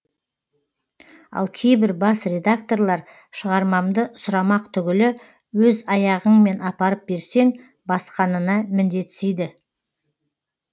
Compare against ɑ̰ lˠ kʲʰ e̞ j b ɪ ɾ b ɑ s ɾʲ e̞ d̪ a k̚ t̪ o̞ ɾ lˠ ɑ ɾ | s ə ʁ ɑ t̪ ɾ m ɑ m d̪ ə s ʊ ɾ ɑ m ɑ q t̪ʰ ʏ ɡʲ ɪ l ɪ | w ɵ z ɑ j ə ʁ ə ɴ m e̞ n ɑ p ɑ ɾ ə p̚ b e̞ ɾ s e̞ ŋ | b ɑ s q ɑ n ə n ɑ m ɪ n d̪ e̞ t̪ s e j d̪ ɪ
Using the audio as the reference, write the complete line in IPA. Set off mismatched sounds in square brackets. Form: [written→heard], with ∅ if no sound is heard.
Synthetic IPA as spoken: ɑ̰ lˠ kʲʰ e̞ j b ɪ ɾ b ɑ s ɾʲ e̞ d̪ a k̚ t̪ o̞ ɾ lˠ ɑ ɾ | [s→ʃ] ə ʁ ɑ [t̪→∅] ɾ m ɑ m d̪ ə s ʊ ɾ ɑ m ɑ q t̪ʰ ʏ ɡʲ ɪ l ɪ | w ɵ z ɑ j [ə→ɑ] ʁ ə ɴ m e̞ n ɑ p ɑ ɾ ə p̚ b e̞ ɾ s e̞ ŋ | b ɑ s q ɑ n ə n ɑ m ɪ n d̪ e̞ t̪ s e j d̪ ɪ